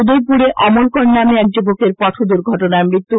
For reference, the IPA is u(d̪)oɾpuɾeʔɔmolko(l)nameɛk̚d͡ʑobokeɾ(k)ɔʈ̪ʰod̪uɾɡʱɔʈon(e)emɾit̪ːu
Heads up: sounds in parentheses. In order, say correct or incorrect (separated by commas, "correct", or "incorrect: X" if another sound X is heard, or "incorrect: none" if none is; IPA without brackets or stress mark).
correct, incorrect: ɾ, incorrect: p, incorrect: a